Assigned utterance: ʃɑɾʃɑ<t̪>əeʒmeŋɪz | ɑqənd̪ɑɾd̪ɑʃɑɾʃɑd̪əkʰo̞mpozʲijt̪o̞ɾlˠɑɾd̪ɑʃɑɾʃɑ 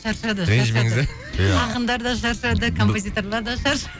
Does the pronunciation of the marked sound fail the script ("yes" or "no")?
yes